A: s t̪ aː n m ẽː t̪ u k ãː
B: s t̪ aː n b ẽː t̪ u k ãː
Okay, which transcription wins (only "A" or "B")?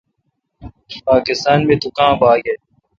A